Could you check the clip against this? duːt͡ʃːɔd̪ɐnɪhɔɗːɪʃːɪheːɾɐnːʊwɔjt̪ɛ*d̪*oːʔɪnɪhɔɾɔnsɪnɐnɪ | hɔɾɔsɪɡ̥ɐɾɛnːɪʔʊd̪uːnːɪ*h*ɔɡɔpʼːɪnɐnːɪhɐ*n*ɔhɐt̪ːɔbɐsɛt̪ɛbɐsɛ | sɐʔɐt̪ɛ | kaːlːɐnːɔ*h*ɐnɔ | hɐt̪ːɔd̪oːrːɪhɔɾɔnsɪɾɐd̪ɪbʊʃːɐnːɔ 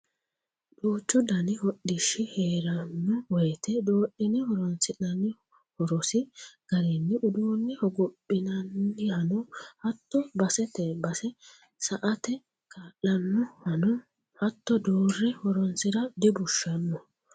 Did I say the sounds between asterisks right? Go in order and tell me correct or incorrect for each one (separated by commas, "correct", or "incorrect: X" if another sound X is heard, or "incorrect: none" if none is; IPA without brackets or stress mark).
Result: correct, correct, correct, correct